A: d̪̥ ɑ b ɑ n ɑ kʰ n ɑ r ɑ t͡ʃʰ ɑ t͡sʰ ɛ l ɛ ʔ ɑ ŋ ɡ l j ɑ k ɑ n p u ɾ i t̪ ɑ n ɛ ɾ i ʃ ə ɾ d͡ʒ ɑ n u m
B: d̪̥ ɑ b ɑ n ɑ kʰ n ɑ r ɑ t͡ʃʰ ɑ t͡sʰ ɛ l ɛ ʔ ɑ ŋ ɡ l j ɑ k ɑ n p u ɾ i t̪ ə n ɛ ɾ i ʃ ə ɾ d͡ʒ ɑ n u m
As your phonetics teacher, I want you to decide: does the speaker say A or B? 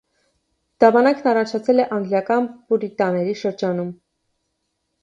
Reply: A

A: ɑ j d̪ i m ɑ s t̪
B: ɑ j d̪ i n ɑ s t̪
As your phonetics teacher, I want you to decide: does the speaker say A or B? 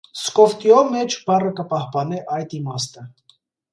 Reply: A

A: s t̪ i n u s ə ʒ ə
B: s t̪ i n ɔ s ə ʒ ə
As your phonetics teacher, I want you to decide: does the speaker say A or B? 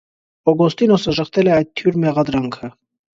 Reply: B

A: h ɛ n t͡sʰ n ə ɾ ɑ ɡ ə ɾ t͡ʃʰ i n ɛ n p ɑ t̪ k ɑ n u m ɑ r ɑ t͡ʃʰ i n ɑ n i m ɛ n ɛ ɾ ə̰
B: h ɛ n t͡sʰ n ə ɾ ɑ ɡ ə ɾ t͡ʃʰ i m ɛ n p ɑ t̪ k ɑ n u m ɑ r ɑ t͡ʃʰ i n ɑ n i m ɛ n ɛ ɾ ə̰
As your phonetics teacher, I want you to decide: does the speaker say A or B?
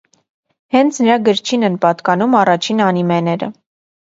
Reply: A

